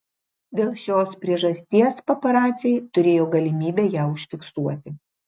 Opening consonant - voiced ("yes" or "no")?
yes